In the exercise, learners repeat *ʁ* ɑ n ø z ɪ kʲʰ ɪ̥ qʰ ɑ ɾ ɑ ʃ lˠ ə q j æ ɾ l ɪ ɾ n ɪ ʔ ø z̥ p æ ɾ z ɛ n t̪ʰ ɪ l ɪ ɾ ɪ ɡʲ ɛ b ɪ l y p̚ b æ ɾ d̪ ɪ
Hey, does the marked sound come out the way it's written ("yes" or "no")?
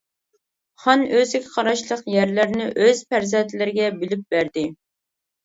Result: no